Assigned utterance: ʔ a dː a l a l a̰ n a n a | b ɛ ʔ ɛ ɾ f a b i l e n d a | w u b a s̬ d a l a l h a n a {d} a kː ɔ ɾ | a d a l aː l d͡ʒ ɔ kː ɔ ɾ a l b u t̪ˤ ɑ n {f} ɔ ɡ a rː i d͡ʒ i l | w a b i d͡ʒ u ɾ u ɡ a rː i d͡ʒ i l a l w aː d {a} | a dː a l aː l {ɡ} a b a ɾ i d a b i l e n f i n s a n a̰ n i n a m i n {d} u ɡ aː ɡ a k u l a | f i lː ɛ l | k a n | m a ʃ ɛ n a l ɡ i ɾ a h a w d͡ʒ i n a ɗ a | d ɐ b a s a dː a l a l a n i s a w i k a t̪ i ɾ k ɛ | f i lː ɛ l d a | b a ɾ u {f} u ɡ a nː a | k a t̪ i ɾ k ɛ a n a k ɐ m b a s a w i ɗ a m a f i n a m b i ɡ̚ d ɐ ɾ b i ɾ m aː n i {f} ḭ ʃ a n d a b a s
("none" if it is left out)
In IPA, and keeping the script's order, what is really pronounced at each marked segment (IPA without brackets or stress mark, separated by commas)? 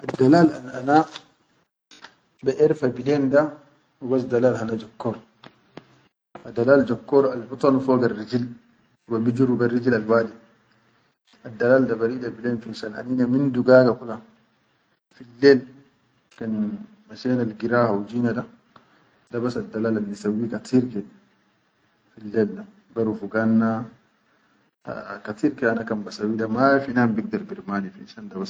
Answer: d͡ʒ, f, i, d, d, f, f